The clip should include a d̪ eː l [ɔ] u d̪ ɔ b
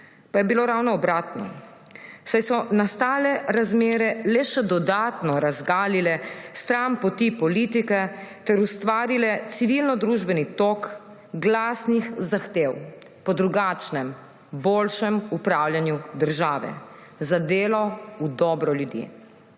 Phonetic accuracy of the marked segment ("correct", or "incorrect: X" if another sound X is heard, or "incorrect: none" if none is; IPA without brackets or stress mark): correct